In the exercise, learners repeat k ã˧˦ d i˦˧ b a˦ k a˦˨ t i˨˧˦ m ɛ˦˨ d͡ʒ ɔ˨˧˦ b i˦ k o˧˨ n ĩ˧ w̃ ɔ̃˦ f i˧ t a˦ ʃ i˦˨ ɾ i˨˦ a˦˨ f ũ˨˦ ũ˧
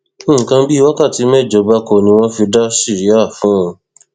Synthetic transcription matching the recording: k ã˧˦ b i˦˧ w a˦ k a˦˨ t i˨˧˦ m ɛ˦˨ d͡ʒ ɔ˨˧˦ b a˦ k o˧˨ n ĩ˧ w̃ ɔ̃˦ f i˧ d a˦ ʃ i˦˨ ɾ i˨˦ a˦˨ f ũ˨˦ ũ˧